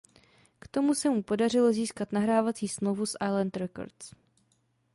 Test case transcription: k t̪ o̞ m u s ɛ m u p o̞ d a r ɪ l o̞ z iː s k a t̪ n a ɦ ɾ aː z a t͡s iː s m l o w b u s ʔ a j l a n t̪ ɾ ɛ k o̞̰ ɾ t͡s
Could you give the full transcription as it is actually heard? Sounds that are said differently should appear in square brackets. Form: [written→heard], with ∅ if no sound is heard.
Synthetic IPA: k t̪ o̞ m u s ɛ m u p o̞ d a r ɪ l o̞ z iː s k a t̪ n a ɦ ɾ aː [z→v] a t͡s iː s m l o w [b→v] u s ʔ a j l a n t̪ ɾ ɛ k o̞̰ ɾ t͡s